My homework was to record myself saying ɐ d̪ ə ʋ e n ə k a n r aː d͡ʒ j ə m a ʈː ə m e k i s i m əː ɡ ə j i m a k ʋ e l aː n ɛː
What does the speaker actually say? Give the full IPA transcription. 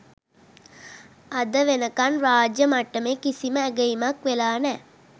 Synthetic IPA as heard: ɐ d̪ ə ʋ e n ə k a n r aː d͡ʒ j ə m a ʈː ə m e k i s i m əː ɡ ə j i m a k ʋ e l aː n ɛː